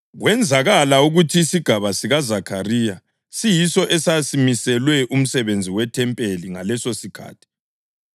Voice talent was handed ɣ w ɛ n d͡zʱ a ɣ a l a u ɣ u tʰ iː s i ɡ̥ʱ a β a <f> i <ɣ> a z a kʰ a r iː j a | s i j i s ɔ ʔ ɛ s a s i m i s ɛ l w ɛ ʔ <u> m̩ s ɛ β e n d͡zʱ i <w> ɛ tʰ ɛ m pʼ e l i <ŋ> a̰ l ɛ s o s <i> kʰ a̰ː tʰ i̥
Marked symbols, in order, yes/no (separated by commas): no, yes, yes, yes, yes, yes